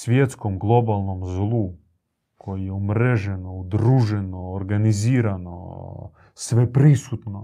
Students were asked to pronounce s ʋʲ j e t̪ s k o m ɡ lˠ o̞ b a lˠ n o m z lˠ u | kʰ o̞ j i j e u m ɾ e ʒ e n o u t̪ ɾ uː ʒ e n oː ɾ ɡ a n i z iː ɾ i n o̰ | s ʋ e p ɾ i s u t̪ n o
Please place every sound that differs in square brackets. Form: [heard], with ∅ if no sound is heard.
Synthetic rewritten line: s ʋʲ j e t̪ s k o m ɡ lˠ o̞ b a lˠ n o m z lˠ u | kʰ o̞ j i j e u m ɾ e ʒ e n o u [d̪] ɾ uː ʒ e n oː ɾ ɡ a n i z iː ɾ [a] n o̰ | s ʋ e p ɾ i s u t̪ n o